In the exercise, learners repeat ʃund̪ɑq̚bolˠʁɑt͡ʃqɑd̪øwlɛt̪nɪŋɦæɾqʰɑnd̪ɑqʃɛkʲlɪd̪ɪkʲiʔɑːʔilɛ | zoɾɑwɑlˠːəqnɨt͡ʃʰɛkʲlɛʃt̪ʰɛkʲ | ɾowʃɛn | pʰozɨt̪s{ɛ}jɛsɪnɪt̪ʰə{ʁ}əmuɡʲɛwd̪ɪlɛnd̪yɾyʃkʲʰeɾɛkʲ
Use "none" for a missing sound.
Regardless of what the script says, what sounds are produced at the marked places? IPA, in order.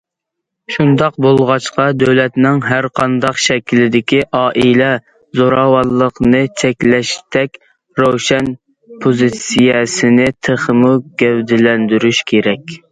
i, χ

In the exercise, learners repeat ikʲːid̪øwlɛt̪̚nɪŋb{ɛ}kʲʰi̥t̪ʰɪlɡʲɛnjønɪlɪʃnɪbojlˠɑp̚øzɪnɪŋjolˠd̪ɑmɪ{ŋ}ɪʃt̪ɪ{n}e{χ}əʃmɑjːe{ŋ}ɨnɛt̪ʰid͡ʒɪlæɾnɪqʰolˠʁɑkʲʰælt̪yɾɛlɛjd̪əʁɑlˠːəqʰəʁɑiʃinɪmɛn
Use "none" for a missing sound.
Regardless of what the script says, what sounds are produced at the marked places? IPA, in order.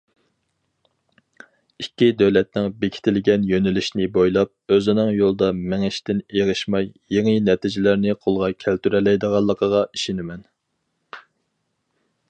e, ŋ, n, ʁ, ŋ

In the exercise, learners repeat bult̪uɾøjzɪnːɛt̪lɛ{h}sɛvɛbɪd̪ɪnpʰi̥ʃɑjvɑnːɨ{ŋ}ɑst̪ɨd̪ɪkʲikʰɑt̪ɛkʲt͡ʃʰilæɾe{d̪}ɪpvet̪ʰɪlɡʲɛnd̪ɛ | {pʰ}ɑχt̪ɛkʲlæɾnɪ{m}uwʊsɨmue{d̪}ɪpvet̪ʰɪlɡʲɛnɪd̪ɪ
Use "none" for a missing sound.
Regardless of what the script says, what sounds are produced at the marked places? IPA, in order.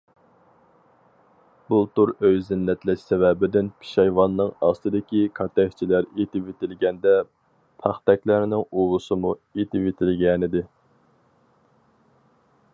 ʃ, ŋ, t̪, pʰ, ŋ, t̪

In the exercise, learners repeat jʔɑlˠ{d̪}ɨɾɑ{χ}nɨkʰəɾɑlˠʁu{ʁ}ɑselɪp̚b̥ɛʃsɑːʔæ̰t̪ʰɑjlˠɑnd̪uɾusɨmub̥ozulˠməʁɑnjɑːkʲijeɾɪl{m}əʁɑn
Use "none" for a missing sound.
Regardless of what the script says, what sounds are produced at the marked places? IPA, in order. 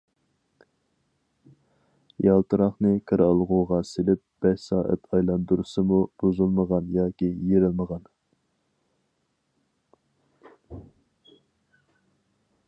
t̪, χ, ʁ, m

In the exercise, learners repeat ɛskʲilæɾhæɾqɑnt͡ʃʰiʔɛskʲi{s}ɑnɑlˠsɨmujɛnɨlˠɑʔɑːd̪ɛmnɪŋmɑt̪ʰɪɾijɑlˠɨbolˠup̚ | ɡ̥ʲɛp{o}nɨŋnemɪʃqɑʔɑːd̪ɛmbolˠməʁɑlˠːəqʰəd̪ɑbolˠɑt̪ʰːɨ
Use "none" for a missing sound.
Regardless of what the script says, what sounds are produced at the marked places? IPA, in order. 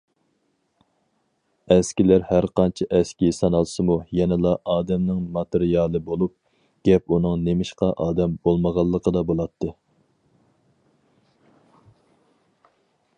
s, u

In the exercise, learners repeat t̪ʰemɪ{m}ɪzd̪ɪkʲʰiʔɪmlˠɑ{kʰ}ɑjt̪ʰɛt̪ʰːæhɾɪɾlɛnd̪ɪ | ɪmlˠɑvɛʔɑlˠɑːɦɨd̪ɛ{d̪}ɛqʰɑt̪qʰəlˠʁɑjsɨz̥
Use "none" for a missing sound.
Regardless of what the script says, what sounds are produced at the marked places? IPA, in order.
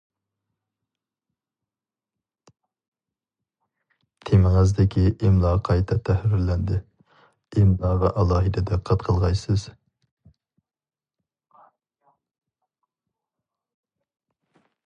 ŋ, qʰ, d̪

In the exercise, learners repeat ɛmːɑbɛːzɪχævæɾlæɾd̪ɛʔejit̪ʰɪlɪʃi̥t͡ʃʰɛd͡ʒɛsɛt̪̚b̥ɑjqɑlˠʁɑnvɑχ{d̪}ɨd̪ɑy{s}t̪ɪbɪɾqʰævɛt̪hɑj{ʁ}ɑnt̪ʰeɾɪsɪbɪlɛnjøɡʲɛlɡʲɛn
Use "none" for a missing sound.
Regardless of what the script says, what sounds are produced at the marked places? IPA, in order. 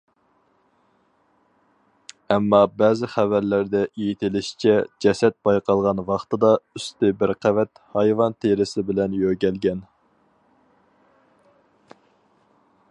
t̪, s, v

